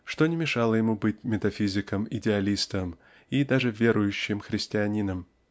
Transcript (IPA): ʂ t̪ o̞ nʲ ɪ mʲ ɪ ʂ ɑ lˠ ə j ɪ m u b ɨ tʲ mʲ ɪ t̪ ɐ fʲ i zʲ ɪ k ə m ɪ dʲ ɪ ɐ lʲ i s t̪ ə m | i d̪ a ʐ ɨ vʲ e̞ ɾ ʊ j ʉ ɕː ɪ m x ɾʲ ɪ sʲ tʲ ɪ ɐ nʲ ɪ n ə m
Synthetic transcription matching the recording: ʂ t̪ o̞ nʲ ɪ mʲ ɪ ʂ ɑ lˠ ə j ɪ m u b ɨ tʲ mʲ ɪ t̪ ɐ fʲ i zʲ ɪ k ə m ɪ dʲ ɪ ɐ lʲ i s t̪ ə m | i d̪ a ʐ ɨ vʲ e̞ ɾ ʊ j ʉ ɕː ɪ m x ɾʲ ɪ sʲ tʲ ɪ ɐ nʲ i n ə m

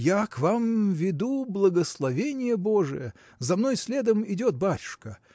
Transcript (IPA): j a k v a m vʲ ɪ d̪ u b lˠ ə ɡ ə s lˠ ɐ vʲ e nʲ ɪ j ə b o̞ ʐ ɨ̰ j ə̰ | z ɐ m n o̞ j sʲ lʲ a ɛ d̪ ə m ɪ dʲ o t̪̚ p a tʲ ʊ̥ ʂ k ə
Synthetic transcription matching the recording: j a k v a m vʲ ɪ d̪ u b lˠ ə ɡ ə s lˠ ɐ vʲ e nʲ ɪ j ə b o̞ ʐ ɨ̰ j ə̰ | z ɐ m n o̞ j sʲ lʲ e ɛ d̪ ə m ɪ dʲ o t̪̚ b a tʲ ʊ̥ ʂ k ə

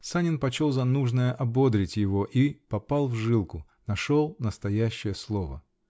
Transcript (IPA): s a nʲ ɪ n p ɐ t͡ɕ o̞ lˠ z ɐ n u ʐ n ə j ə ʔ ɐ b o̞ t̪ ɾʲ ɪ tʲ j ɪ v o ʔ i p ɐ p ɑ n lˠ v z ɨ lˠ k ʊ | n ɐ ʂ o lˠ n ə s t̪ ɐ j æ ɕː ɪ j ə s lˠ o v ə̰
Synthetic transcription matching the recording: s a nʲ ɪ n p ɐ t͡ɕ o̞ lˠ z ɐ n u ʐ n ə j ə ʔ ɐ b o̞ d̪ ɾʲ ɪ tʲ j ɪ v o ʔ i p ɐ p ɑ lˠ v ʐ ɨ lˠ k ʊ | n ɐ ʂ o lˠ n ə s t̪ ɐ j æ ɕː ɪ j ə s lˠ o v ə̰

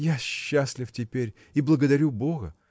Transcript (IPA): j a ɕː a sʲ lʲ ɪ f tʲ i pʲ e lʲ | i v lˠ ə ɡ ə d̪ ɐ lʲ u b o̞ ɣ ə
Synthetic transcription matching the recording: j a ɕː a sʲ lʲ ɪ f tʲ ɪ pʲ e ɾʲ | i b lˠ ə ɡ ə d̪ ɐ ɾʲ u b o̞ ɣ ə

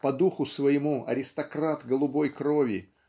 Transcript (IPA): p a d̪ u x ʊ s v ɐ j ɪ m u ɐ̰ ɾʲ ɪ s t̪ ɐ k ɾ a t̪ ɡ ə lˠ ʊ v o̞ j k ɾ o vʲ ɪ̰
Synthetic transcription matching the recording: p ɐ d̪ u x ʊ s v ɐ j ɪ m u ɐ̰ ɾʲ ɪ s t̪ ɐ k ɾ a t̪ ɡ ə lˠ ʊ b o̞ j k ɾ o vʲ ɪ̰

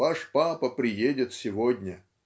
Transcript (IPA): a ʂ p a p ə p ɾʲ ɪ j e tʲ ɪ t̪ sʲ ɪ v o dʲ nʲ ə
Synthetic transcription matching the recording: a ʂ p a p ə p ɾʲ ɪ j e dʲ ɪ t̪ sʲ ɪ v o dʲ nʲ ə

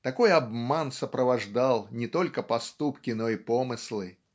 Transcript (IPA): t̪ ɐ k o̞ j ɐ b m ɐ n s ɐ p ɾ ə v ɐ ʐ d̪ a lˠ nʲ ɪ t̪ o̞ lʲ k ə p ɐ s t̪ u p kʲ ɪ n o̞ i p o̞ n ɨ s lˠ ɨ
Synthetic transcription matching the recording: t̪ ɐ k o̞ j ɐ b m a n s ə p ɾ ə v ɐ ʐ d̪ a lˠ nʲ ɪ t̪ o̞ lʲ k ə p ɐ s t̪ u p kʲ ɪ n o̞ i p o̞ m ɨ s lˠ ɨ

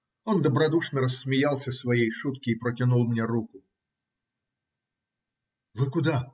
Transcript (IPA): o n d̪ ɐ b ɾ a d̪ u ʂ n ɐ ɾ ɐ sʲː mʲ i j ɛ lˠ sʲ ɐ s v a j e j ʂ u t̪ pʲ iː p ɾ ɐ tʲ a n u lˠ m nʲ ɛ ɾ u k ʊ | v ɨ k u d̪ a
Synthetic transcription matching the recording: ɔ n d̪ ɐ b ɾ a d̪ u ʂ n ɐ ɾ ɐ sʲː mʲ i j a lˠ sʲ ɐ s v a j e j ʂ u t̪ kʲ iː p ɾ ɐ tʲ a n u lˠ m nʲ ɛ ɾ u k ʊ | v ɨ k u d̪ a

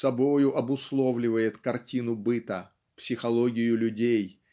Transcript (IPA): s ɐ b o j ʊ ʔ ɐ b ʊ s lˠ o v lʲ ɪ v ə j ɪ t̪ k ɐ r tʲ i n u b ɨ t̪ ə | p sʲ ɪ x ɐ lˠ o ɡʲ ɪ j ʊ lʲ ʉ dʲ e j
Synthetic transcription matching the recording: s ɐ b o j ʊ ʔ ɐ b ʊ s lˠ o v lʲ ɪ v ə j ɪ t̪ k ɐ r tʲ i n ʊ b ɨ t̪ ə | p sʲ ɪ x ɐ lˠ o ɡʲ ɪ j ʊ lʲ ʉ dʲ e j

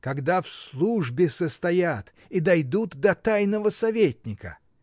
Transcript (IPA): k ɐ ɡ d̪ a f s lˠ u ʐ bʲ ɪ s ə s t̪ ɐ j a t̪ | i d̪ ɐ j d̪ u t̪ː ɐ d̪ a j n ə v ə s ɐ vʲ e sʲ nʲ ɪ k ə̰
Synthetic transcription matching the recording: k ɐ ɡ d̪ a f s lˠ u ʐ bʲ ɪ s ə s t̪ ɐ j a t̪ | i d̪ ɐ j d̪ u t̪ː ɐ t̪ a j n ə v ə s ɐ vʲ e tʲ nʲ ɪ k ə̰

